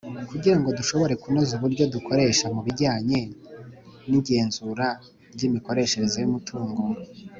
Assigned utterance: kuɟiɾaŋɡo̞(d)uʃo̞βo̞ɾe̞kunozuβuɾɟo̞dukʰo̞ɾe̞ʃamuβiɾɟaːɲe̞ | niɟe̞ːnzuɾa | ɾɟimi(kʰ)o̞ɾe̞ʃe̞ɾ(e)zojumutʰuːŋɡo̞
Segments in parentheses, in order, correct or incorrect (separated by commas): correct, incorrect, correct